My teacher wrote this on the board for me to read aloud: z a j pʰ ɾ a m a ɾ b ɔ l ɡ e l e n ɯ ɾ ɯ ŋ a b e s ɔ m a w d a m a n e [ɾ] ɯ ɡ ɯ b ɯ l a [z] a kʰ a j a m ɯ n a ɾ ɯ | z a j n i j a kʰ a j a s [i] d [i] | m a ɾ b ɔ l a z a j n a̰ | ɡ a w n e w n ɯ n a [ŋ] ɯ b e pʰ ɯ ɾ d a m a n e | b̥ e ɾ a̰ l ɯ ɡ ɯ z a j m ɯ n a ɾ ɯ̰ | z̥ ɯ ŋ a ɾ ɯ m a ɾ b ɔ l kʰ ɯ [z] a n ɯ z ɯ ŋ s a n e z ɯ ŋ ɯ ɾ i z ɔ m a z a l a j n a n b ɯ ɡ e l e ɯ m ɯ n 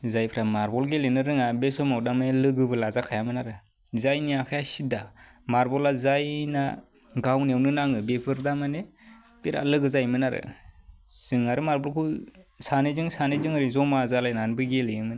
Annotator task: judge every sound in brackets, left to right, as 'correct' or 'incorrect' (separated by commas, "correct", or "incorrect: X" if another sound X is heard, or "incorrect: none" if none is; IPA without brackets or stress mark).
incorrect: l, correct, correct, incorrect: a, correct, incorrect: s